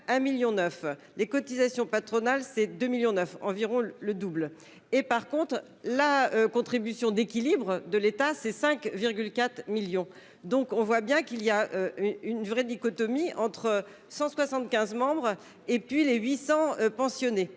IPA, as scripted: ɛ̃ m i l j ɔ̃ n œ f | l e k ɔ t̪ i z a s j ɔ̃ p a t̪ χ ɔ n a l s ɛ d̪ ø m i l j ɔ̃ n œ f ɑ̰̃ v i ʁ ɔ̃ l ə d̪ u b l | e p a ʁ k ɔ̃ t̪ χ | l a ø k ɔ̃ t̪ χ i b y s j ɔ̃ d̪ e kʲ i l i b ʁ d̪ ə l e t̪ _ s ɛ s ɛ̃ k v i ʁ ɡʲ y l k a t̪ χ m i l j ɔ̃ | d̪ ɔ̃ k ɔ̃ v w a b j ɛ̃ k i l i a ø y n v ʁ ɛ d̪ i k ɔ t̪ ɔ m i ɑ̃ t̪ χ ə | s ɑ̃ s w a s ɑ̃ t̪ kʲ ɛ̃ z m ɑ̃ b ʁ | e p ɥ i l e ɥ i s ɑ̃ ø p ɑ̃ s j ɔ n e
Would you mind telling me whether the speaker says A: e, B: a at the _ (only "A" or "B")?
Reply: B